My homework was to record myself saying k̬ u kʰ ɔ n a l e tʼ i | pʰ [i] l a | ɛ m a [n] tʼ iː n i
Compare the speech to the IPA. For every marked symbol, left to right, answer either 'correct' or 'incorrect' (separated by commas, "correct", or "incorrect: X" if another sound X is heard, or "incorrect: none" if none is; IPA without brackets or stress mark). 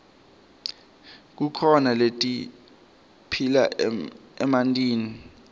correct, correct